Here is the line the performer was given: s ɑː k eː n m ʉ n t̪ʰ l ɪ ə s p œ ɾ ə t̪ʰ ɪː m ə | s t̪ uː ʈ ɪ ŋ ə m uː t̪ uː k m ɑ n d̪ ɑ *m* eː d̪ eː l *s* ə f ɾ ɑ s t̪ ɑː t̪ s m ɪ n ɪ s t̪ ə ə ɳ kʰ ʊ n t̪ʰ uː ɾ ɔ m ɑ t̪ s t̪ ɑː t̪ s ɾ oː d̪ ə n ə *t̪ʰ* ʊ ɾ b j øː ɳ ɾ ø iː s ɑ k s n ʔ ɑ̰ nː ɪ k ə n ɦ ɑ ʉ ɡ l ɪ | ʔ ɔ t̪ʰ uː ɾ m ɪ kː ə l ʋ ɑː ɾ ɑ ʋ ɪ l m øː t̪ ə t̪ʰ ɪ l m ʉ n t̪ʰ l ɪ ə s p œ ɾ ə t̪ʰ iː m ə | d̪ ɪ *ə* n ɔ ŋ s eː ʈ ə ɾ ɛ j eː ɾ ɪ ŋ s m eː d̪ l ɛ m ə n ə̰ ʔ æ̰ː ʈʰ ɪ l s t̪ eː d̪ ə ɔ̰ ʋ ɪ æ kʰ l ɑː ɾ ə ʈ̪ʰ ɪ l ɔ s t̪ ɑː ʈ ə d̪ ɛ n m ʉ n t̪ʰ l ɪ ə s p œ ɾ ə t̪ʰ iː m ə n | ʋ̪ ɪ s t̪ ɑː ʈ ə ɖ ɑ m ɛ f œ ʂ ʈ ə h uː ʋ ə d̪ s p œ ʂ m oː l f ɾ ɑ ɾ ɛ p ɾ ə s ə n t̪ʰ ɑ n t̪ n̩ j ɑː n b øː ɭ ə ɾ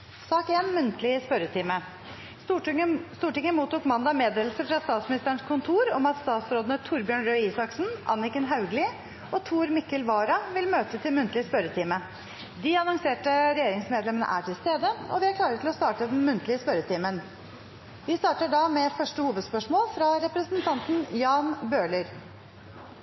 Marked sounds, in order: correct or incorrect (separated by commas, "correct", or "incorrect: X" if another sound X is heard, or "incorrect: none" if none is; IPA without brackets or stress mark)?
correct, correct, correct, incorrect: ɑ